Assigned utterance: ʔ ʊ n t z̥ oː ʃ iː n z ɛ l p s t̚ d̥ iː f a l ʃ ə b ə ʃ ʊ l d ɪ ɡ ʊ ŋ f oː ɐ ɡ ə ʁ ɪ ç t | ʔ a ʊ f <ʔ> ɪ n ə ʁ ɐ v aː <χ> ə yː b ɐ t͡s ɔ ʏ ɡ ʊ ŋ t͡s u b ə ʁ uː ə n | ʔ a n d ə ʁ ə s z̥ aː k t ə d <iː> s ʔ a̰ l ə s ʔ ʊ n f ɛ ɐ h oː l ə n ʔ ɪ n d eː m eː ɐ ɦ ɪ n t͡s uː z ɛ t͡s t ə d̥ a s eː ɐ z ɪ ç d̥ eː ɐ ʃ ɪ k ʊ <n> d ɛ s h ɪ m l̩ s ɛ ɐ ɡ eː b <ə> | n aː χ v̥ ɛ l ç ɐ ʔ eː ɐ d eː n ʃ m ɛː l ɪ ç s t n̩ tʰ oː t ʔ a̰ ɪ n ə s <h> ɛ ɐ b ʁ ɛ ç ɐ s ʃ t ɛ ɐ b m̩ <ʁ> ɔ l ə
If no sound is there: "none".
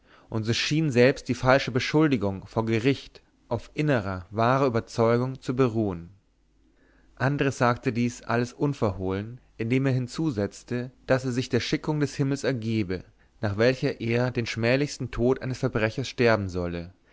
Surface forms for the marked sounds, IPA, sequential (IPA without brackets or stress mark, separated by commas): ʔ, ʁ, iː, ŋ, ə, f, z